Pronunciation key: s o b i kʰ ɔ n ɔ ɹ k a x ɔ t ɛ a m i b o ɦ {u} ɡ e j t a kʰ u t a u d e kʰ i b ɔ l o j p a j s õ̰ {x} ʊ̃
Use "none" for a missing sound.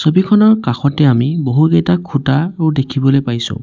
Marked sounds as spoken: u, none

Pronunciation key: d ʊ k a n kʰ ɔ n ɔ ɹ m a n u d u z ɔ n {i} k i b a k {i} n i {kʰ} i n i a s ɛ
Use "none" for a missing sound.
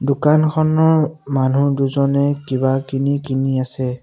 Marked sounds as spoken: ɛ, i, k

